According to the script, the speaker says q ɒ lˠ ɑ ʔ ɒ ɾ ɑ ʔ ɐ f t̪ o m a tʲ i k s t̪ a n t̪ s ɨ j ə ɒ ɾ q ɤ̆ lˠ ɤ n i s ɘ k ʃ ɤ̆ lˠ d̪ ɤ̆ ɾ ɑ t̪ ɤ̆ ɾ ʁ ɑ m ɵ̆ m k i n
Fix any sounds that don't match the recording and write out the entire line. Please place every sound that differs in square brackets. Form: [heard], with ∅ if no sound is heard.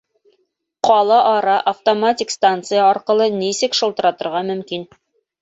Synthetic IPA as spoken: q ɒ lˠ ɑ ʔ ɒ ɾ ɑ ʔ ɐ f t̪ o m a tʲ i k s t̪ a n t̪ s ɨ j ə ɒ ɾ q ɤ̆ lˠ ɤ n i s ɘ k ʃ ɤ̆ lˠ [t̪] ɤ̆ ɾ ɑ t̪ ɤ̆ ɾ ʁ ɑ m ɵ̆ m k i n